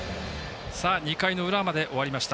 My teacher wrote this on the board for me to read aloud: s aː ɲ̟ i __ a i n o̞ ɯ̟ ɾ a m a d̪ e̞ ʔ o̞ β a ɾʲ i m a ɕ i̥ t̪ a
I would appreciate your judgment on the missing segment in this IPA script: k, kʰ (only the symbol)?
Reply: k